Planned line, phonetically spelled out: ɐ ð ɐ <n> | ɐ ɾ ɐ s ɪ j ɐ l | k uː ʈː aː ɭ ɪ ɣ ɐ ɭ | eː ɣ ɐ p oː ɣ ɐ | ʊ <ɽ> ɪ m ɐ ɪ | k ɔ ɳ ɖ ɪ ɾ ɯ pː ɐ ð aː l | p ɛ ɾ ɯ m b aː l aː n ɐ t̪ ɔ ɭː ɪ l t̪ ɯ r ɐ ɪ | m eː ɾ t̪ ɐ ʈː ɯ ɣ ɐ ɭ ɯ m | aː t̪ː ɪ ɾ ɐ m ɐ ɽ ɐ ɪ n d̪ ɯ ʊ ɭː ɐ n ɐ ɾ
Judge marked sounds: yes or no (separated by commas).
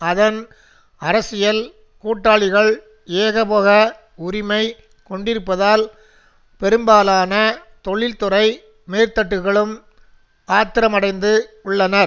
yes, no